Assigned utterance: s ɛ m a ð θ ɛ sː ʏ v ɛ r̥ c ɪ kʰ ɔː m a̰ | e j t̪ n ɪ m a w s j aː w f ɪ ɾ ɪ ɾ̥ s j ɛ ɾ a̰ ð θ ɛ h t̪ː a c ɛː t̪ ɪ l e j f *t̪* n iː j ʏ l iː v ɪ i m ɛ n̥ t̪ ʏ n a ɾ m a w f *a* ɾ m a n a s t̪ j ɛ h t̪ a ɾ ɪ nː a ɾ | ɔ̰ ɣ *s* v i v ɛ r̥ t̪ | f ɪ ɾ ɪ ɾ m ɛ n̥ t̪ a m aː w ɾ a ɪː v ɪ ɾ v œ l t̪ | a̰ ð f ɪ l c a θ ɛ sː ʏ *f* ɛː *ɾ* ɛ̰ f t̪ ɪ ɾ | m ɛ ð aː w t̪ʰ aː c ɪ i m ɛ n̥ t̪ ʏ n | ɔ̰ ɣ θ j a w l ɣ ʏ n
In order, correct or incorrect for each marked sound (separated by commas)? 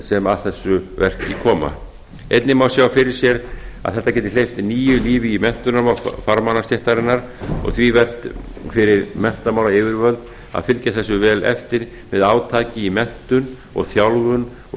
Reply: correct, correct, incorrect, incorrect, incorrect